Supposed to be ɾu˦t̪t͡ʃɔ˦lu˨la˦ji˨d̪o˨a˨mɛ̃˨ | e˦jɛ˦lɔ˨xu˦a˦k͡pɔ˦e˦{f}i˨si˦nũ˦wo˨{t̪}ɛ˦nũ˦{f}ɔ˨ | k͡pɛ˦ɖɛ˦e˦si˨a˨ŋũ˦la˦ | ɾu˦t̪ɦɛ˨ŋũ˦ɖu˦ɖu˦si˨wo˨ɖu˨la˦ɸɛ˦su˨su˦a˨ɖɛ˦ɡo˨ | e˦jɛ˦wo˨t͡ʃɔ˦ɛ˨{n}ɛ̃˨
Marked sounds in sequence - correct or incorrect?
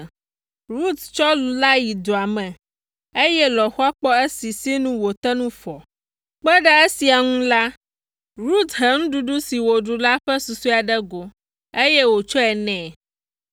incorrect, correct, correct, correct

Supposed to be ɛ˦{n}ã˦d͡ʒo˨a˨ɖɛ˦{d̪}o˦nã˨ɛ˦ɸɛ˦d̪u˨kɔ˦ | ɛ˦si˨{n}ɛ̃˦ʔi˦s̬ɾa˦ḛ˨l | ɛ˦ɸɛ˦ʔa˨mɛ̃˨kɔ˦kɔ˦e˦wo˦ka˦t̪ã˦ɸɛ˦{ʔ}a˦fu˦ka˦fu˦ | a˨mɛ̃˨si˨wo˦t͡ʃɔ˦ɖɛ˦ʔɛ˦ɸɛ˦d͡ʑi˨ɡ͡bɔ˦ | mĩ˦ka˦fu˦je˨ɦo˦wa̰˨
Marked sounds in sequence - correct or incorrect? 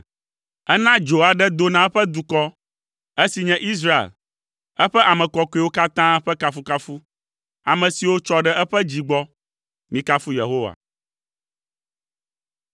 correct, correct, incorrect, incorrect

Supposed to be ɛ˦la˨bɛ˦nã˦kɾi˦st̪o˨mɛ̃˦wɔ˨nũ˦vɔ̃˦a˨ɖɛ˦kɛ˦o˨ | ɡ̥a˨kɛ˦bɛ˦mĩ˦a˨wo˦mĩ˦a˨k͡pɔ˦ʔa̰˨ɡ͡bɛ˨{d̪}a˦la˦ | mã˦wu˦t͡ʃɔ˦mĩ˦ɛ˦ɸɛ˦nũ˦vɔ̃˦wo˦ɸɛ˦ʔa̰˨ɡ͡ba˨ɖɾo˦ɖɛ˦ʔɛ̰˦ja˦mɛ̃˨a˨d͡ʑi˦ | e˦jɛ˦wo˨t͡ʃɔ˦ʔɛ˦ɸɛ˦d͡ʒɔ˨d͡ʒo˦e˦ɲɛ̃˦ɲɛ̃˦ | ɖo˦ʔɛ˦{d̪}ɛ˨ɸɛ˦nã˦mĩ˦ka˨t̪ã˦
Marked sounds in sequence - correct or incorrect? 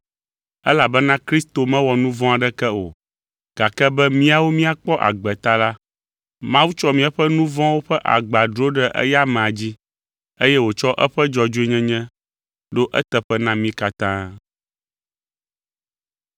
incorrect, incorrect

